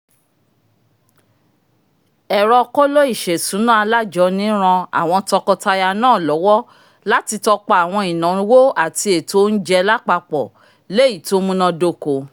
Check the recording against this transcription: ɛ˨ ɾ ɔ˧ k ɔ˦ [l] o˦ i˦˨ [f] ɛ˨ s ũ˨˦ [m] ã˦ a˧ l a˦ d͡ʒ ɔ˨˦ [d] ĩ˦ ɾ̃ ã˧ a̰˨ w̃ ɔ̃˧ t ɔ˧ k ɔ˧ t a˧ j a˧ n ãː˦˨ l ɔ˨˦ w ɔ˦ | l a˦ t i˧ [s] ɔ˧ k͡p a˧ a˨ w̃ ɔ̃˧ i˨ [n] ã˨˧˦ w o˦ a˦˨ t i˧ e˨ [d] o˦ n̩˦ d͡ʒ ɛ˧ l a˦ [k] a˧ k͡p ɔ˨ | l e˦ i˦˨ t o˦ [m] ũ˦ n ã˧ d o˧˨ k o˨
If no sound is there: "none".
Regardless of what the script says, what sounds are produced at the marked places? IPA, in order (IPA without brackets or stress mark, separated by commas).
l, ʃ, n, n, t, n, t, k͡p, m